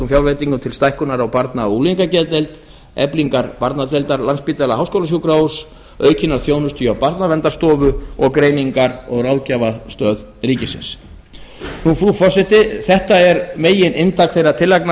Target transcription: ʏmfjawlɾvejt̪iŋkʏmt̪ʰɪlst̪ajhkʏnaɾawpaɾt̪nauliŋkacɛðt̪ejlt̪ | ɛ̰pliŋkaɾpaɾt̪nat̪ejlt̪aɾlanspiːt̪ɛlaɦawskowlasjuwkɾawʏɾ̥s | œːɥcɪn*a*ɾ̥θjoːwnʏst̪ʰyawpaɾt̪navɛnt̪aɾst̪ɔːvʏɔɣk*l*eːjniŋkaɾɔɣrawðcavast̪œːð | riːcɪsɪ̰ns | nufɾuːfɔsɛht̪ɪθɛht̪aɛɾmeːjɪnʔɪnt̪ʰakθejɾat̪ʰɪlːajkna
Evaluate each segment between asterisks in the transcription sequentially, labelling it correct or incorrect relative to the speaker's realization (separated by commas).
correct, incorrect